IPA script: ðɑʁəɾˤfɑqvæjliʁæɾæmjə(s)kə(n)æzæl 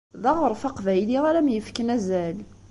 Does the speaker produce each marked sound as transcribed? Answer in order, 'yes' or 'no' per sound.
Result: no, yes

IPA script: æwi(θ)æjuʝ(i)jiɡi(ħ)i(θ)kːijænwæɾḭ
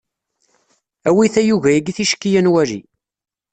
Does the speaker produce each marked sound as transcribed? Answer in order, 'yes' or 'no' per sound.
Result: yes, no, no, no

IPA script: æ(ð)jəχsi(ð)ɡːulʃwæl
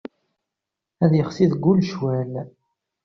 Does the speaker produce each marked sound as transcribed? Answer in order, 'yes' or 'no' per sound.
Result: yes, yes

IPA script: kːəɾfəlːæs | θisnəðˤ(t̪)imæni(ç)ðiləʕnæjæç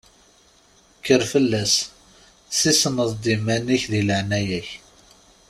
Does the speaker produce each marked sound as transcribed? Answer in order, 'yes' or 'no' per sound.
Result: no, yes

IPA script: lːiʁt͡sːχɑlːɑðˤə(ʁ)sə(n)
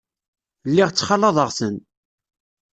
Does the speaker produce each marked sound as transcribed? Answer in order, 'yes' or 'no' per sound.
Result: yes, yes

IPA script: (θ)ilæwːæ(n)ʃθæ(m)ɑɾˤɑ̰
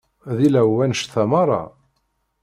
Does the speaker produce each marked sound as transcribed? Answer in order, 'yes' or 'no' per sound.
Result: no, yes, yes

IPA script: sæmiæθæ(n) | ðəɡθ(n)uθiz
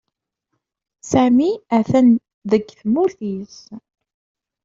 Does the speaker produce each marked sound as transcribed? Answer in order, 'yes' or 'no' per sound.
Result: yes, no

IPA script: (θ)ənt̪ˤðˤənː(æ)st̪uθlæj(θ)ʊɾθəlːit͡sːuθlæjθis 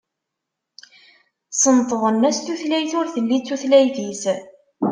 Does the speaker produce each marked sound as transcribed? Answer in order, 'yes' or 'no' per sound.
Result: no, yes, yes

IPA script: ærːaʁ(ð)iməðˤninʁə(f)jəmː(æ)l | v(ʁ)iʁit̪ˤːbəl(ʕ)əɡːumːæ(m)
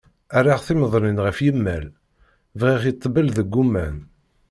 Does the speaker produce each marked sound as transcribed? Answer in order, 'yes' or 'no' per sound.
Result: no, yes, yes, yes, no, no

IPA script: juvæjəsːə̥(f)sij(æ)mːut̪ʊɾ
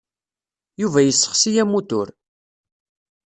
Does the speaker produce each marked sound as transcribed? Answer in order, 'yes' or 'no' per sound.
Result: no, yes

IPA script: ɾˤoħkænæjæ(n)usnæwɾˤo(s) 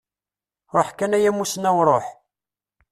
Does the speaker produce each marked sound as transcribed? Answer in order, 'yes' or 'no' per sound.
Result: no, no

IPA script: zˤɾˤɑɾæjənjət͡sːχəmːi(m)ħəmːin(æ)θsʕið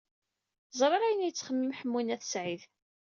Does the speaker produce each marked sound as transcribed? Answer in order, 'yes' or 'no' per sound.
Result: yes, yes

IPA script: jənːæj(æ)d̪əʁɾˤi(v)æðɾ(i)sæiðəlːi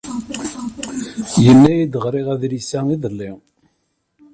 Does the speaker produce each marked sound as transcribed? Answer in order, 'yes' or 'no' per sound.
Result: no, no, yes

